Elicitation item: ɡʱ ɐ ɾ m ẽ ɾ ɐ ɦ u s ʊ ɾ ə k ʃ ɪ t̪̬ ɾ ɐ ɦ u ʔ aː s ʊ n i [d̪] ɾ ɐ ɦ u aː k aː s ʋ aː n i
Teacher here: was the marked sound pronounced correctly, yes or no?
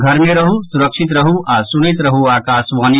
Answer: no